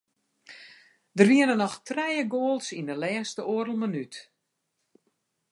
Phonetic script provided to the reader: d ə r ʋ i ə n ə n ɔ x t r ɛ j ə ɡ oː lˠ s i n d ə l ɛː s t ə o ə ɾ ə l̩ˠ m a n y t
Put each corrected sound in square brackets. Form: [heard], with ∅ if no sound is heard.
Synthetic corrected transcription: d ə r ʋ i ə n ə n ɔ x t r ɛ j ə ɡ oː lˠ s i n d ə l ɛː s t ə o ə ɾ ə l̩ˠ m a n y t